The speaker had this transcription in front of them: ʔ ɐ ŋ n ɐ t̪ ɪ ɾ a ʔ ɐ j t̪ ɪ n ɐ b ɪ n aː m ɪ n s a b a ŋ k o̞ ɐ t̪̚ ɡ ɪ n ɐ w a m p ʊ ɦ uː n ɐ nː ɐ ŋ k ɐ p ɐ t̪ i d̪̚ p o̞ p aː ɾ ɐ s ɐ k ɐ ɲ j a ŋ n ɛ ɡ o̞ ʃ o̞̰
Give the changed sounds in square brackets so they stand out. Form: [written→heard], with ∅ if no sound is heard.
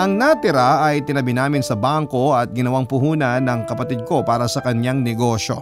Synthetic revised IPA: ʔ ɐ ŋ n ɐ t̪ ɪ ɾ a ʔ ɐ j t̪ ɪ n ɐ b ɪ n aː m ɪ n s [a→ɐ] b a ŋ k o̞ ɐ t̪̚ ɡ ɪ n ɐ w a [m→ŋ] p ʊ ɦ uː n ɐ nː ɐ ŋ k ɐ p ɐ t̪ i d̪̚ [p→k] o̞ p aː ɾ ɐ s ɐ k ɐ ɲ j a ŋ n ɛ ɡ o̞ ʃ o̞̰